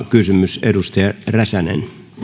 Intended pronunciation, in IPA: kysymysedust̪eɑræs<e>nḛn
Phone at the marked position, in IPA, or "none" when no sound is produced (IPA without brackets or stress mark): æ